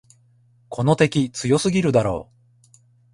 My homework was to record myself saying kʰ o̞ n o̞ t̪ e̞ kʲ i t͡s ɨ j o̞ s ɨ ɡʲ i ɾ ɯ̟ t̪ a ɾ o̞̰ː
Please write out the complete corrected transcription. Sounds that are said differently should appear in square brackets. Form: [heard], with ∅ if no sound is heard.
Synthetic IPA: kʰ o̞ n o̞ t̪ e̞ kʲ i t͡s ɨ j o̞ s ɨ ɡʲ i ɾ ɯ̟ [d̪] a ɾ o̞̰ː